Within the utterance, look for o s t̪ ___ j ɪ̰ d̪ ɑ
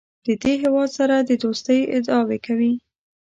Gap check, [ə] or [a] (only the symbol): ə